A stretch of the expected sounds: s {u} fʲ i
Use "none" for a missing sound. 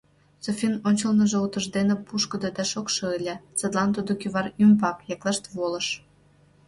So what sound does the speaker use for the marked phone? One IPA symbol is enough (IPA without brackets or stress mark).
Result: o